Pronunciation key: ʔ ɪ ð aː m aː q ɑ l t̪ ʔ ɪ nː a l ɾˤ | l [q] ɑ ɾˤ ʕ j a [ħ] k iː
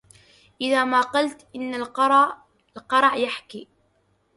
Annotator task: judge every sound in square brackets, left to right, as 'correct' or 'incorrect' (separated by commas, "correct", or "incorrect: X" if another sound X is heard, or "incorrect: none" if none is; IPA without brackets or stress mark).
correct, correct